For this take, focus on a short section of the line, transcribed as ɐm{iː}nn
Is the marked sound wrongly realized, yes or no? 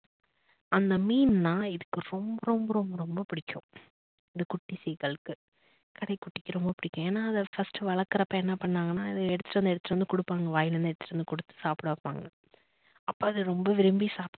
no